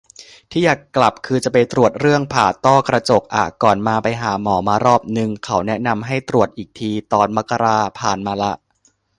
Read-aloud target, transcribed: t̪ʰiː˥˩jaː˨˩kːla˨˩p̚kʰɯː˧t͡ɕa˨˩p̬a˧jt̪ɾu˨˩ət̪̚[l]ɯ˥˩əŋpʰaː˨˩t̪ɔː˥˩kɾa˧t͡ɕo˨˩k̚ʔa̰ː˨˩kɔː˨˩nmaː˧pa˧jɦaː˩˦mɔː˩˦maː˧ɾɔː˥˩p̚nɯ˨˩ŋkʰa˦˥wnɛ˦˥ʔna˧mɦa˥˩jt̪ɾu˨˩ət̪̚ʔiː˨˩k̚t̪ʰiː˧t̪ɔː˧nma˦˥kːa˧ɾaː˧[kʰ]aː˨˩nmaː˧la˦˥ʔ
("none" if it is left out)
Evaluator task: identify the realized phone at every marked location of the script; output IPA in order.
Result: ɾ, pʰ

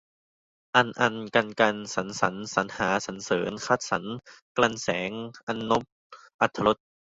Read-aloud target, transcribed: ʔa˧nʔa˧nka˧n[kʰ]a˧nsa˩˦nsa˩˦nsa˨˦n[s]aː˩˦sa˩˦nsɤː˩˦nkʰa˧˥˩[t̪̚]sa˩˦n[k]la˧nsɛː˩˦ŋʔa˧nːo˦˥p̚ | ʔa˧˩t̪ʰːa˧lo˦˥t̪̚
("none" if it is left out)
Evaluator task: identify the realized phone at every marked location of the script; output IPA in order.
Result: k, h, t̪̚, k

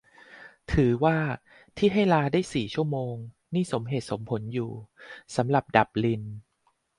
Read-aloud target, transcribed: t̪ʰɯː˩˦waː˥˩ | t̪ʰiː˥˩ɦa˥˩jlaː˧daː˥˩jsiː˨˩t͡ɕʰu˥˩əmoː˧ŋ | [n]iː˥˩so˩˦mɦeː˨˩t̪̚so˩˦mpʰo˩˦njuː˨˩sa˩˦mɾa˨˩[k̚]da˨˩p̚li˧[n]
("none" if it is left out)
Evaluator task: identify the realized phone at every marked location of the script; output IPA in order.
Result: n, p̚, n

